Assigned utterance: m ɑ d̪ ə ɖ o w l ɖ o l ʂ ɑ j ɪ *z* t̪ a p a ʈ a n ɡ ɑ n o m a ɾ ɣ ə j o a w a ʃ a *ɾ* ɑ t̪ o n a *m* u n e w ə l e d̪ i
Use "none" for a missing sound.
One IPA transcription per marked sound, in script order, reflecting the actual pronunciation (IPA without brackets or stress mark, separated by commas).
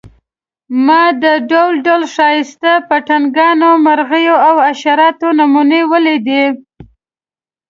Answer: s, ɾ, m